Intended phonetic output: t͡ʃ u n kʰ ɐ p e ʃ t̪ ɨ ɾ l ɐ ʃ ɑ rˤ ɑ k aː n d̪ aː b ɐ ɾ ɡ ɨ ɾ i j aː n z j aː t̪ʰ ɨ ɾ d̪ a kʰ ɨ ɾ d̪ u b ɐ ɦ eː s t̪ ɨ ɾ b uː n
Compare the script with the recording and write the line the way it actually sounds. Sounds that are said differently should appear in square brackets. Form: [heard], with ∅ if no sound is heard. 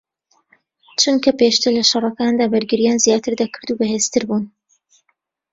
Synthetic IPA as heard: t͡ʃ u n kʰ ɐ p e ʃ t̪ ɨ ɾ l ɐ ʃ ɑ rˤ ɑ k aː n d̪ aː b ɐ ɾ ɡ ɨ ɾ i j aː n z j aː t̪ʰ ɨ ɾ d̪ a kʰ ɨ ɾ d̪ u b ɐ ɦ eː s t̪ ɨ ɾ b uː n